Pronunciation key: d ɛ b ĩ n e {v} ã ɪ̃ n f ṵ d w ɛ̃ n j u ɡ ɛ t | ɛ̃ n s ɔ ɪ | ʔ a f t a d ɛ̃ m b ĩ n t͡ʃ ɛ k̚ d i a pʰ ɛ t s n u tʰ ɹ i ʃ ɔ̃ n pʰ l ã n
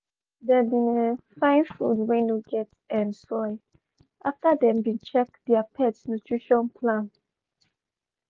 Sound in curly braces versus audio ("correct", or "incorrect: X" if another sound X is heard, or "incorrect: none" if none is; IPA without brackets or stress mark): incorrect: f